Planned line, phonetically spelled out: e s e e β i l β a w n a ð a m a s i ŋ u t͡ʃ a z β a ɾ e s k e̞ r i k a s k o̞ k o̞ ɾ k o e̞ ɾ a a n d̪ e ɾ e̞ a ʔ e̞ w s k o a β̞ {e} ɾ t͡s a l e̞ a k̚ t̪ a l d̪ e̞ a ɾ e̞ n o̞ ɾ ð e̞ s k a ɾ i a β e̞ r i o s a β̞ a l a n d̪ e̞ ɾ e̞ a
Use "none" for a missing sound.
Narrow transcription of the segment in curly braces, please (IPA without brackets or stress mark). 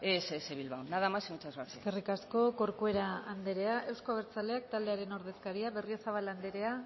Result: e